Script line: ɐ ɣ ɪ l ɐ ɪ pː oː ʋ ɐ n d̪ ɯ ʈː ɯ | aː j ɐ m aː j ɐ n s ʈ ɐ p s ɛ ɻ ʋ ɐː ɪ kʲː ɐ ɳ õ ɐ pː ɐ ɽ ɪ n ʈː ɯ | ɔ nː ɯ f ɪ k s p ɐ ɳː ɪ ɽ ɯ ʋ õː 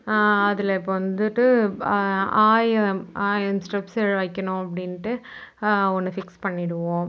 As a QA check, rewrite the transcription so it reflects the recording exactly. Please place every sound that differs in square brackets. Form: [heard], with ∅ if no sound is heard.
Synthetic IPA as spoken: ɐ [ð] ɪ l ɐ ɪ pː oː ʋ ɐ n d̪ ɯ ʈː ɯ | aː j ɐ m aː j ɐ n s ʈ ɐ p s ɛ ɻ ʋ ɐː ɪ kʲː ɐ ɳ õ ɐ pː ɐ ɽ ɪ n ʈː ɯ | ɔ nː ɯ f ɪ k s p ɐ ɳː ɪ ɽ ɯ ʋ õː